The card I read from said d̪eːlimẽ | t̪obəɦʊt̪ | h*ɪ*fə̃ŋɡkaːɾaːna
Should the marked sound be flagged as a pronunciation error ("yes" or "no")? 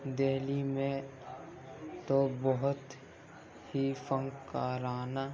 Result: yes